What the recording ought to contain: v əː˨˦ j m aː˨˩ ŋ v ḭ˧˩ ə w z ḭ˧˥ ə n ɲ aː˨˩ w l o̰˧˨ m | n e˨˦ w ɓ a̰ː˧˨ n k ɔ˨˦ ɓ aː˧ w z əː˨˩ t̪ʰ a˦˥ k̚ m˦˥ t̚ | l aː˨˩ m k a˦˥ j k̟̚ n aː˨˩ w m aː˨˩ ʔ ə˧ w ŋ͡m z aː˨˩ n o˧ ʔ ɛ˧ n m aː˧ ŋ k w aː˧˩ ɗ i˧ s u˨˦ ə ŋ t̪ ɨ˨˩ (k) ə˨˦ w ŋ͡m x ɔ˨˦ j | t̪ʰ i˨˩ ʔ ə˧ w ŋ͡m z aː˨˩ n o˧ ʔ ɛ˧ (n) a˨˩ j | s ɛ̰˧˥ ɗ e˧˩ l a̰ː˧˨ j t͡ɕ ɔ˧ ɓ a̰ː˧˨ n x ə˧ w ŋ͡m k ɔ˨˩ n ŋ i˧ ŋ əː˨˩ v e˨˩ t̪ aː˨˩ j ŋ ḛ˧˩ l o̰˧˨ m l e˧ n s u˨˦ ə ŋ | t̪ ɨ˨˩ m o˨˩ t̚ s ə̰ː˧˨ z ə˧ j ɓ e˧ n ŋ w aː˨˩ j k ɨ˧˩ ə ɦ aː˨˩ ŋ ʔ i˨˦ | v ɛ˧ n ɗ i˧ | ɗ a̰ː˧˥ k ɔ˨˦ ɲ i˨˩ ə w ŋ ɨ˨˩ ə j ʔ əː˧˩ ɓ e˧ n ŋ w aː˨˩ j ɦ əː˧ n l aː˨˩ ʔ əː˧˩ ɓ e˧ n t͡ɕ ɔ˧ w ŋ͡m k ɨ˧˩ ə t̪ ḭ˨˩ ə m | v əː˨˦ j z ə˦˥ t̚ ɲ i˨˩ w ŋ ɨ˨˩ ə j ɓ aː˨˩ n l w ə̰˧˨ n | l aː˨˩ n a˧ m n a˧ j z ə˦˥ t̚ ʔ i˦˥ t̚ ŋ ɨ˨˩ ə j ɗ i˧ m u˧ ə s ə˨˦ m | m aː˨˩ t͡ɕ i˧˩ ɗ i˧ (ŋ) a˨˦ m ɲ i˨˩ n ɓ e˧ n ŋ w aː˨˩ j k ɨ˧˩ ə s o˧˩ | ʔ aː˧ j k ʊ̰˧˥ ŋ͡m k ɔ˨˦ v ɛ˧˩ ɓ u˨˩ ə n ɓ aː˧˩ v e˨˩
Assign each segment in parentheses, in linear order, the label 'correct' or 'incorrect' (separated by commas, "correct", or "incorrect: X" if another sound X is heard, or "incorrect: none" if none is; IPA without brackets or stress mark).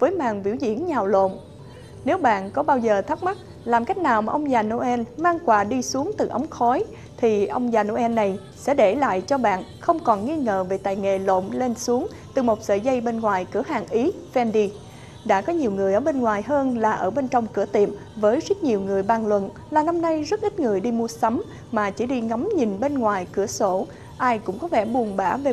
incorrect: ʔ, incorrect: nː, correct